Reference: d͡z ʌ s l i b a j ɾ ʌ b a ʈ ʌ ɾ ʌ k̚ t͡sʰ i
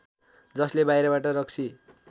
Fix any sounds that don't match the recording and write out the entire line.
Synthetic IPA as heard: d͡z ʌ s l e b a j ɾ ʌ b a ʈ ʌ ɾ ʌ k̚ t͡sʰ i